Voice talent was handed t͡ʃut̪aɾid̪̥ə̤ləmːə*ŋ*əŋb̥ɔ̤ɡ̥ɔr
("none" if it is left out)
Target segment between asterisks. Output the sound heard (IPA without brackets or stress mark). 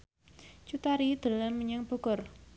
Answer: ɲ